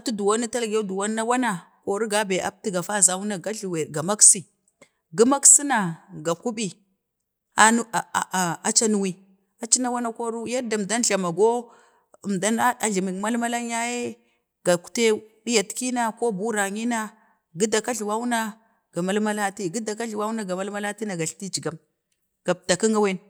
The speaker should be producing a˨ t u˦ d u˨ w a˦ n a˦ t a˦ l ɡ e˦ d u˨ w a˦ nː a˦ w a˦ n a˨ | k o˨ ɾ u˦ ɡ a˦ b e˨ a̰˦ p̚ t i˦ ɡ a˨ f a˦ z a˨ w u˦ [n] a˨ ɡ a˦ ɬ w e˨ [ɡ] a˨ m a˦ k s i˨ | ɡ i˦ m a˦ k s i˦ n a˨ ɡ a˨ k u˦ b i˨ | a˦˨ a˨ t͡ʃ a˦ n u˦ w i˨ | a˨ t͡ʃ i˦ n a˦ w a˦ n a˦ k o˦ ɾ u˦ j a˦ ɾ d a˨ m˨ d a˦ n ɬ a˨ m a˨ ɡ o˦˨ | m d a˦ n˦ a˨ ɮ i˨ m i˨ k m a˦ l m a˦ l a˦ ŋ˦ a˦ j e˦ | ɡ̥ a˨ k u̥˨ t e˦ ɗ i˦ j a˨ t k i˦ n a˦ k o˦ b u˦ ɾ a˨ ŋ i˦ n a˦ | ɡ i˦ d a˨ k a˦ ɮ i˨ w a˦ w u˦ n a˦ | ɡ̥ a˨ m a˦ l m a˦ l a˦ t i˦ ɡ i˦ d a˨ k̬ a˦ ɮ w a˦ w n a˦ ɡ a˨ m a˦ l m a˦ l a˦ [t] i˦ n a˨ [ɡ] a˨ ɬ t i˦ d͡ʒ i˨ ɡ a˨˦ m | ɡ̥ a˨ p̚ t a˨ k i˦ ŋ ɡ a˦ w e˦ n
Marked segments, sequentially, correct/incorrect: correct, correct, correct, correct

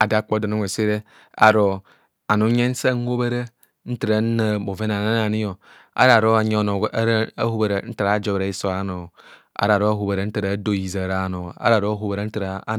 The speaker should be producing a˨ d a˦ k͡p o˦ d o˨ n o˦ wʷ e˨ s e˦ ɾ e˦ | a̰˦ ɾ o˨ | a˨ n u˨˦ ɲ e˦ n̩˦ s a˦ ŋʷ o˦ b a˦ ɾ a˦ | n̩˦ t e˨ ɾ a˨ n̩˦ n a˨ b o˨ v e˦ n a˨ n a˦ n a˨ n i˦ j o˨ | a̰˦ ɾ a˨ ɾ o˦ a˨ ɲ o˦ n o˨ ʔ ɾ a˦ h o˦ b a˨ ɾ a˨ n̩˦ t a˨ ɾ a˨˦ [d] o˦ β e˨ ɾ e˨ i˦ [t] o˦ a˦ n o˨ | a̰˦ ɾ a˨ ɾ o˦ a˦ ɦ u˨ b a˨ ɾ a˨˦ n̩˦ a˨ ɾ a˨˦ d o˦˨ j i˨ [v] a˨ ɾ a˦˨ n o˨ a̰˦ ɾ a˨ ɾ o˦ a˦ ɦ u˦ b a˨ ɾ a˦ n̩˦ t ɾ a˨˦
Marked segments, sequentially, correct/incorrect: incorrect: d͡ʒ, incorrect: s, incorrect: z

